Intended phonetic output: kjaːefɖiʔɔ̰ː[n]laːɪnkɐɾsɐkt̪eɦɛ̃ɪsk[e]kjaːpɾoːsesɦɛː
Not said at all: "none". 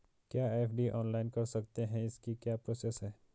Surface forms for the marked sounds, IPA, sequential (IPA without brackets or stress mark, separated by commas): n, i